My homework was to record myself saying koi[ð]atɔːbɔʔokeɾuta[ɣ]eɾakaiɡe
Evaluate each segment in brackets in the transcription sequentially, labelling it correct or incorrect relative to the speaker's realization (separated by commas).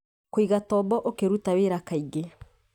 incorrect, incorrect